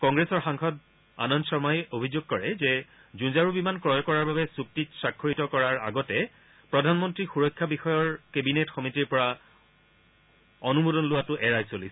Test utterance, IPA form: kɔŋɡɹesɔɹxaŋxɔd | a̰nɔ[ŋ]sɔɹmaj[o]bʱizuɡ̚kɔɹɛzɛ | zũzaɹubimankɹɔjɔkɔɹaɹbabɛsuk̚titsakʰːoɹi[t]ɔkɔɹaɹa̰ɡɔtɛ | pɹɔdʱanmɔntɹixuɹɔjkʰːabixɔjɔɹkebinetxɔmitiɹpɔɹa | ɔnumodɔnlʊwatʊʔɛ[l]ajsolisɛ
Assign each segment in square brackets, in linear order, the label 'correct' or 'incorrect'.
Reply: incorrect, correct, correct, incorrect

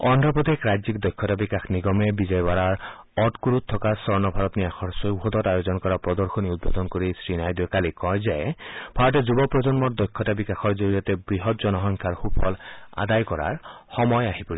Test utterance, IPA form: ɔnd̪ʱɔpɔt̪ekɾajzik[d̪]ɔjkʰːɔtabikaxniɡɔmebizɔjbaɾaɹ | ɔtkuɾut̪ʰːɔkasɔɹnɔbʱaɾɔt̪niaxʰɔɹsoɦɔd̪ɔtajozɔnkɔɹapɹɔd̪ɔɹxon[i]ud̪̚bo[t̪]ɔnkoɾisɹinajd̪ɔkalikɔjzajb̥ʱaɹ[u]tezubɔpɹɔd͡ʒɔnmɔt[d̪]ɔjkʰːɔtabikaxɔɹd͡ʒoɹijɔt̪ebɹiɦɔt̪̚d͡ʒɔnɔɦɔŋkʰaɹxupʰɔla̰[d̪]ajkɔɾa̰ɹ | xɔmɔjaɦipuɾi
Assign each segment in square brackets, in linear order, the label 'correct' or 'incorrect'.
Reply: correct, correct, incorrect, incorrect, correct, correct

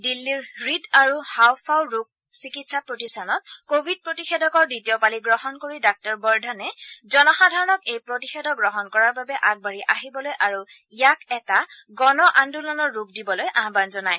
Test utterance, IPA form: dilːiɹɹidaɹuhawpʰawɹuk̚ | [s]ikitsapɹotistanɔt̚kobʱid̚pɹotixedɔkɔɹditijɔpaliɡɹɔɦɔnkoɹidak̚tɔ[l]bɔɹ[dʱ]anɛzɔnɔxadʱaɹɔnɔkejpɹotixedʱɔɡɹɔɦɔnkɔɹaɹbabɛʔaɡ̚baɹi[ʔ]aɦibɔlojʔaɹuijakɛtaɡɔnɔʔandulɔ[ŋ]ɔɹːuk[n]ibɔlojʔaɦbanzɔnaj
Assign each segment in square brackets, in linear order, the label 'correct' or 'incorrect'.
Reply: correct, incorrect, correct, correct, incorrect, incorrect

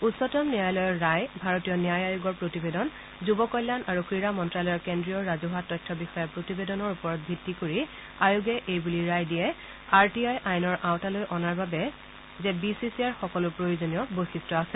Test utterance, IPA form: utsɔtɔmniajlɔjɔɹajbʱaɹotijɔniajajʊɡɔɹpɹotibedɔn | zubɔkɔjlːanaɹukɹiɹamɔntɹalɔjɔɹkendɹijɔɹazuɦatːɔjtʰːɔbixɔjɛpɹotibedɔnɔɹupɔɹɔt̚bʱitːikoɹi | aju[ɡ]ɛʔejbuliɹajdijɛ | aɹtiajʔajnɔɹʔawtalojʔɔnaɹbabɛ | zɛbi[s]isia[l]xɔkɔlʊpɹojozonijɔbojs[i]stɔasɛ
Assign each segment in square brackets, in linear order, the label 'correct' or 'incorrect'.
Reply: correct, correct, incorrect, correct

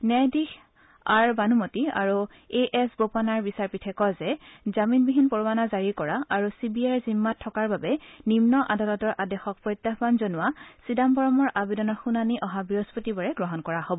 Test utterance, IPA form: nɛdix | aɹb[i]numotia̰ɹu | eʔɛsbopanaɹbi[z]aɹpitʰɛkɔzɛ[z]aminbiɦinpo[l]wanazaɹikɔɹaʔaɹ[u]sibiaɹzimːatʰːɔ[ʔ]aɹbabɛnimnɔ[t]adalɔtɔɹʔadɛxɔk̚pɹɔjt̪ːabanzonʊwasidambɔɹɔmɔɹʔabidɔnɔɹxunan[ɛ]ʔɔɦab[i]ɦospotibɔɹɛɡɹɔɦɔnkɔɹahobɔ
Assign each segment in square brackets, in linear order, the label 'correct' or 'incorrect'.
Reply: incorrect, incorrect, correct, incorrect, correct, incorrect, incorrect, incorrect, correct

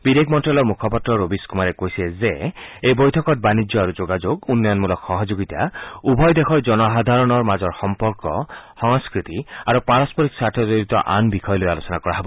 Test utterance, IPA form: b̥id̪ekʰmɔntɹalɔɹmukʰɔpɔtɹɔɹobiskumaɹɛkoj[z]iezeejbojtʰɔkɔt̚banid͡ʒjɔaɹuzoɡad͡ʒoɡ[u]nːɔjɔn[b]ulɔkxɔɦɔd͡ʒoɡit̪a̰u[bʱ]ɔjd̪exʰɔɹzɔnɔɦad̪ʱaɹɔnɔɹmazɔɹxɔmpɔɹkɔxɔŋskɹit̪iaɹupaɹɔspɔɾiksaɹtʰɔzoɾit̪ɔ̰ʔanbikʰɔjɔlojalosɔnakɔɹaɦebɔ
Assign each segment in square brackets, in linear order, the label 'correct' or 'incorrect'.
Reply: incorrect, correct, incorrect, correct

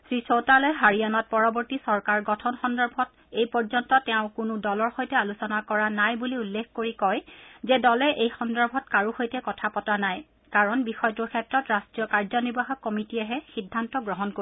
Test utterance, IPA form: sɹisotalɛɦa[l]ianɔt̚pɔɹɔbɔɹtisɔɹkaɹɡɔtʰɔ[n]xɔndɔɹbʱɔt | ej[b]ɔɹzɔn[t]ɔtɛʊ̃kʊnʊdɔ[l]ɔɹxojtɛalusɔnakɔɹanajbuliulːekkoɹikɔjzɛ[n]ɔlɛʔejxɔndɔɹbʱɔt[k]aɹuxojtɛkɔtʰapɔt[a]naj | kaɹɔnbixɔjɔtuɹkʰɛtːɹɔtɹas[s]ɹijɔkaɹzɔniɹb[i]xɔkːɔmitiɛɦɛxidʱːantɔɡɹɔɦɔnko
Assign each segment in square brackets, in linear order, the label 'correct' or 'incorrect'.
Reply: incorrect, correct, incorrect, correct, correct, incorrect, correct, correct, incorrect, incorrect

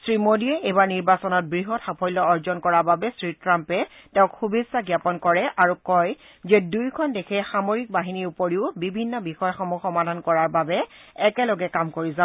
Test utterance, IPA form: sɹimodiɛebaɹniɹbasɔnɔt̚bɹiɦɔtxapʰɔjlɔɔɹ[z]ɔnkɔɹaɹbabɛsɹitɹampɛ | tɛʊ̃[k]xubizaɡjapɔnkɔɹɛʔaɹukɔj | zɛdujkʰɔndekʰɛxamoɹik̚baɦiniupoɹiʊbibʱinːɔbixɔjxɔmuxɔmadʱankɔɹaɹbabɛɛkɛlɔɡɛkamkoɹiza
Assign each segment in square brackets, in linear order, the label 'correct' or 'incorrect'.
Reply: correct, correct

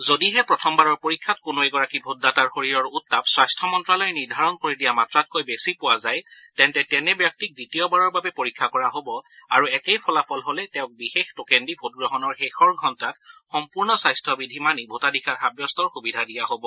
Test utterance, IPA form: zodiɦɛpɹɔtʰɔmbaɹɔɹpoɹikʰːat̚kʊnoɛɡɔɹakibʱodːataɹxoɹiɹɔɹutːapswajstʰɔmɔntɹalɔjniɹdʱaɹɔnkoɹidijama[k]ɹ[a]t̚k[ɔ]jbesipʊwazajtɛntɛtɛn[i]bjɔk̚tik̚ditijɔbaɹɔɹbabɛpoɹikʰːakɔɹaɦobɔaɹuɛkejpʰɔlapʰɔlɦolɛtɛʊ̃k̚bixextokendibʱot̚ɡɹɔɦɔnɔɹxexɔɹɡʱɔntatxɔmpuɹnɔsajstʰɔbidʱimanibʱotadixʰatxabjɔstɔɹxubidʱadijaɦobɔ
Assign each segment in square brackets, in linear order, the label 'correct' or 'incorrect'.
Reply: incorrect, correct, incorrect, incorrect

